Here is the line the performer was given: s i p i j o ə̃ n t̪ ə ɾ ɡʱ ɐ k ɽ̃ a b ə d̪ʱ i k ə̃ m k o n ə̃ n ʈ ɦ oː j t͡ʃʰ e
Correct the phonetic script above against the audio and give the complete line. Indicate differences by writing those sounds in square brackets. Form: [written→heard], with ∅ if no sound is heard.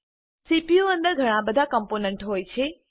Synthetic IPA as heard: s i p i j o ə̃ n [t̪→d̪] ə ɾ ɡʱ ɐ [k→∅] ɽ̃ a b ə d̪ʱ [i→a] k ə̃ m [k→p] o n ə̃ [n→ɳ] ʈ ɦ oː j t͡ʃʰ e